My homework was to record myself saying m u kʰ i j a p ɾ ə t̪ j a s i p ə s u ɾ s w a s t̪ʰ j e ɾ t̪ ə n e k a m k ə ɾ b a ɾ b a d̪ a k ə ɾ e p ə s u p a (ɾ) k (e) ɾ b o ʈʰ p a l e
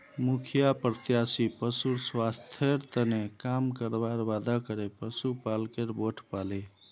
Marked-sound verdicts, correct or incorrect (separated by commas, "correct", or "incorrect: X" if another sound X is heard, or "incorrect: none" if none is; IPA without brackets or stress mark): incorrect: l, correct